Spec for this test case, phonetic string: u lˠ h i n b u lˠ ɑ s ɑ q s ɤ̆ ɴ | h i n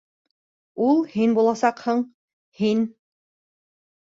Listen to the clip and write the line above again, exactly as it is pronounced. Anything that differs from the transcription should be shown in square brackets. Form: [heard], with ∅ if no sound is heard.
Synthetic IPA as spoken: u lˠ h i n b u lˠ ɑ s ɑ q [h] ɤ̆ ɴ | h i n